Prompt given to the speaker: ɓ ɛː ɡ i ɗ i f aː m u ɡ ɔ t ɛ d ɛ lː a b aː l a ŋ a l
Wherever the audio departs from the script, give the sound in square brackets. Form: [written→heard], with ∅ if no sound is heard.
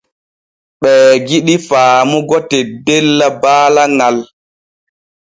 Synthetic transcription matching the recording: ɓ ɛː ɡ i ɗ i f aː m u ɡ ɔ t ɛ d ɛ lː a b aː l a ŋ a l